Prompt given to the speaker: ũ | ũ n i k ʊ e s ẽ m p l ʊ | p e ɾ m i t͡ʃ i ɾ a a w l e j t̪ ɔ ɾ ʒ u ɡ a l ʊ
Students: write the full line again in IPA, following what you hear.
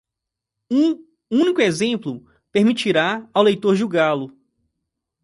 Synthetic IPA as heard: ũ | ũ n i k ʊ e z ẽ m p l ʊ | p e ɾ m i t͡ʃ i ɾ a a w l e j t̪ o ɾ ʒ u ɡ a l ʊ